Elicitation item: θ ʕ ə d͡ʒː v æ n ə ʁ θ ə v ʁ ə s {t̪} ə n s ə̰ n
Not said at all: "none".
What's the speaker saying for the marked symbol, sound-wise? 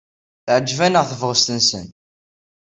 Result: t̪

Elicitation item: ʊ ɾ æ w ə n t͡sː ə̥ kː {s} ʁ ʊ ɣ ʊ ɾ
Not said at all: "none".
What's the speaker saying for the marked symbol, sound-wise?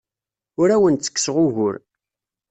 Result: s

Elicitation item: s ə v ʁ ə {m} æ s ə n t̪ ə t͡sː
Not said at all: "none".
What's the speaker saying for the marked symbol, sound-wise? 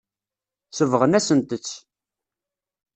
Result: n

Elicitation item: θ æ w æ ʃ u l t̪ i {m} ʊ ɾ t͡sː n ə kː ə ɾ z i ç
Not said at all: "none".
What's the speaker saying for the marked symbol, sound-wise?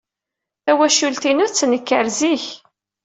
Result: n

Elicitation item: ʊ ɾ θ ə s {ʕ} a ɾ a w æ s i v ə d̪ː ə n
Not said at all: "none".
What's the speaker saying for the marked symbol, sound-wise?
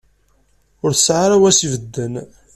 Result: ʕ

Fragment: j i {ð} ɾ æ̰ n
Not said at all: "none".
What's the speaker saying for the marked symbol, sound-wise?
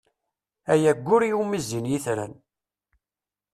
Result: θ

